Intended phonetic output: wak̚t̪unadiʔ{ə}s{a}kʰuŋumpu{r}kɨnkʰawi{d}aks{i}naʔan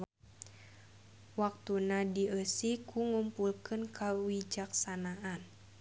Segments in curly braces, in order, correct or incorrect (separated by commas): correct, incorrect, incorrect, incorrect, incorrect